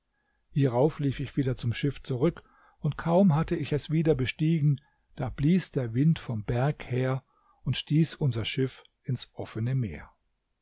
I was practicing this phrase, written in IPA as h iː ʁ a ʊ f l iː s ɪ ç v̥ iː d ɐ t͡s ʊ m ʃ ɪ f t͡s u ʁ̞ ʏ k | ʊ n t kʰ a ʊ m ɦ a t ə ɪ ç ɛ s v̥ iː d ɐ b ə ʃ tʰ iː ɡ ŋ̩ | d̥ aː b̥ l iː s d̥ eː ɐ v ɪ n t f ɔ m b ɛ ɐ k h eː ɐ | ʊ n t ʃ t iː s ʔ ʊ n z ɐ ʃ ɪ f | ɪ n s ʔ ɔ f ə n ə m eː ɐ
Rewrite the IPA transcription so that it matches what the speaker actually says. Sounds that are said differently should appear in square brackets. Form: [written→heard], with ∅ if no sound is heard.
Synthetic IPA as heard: h iː ʁ a ʊ f l iː [s→f] ɪ ç v̥ iː d ɐ t͡s ʊ m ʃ ɪ f t͡s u ʁ̞ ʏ k | ʊ n t kʰ a ʊ m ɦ a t ə ɪ ç ɛ s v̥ iː d ɐ b ə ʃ [tʰ→t] iː ɡ ŋ̩ | d̥ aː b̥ l iː s d̥ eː ɐ v ɪ n t f ɔ m b ɛ ɐ k h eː ɐ | ʊ n t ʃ t iː s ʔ ʊ n z ɐ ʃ ɪ f | ɪ n s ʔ ɔ f ə n ə m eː ɐ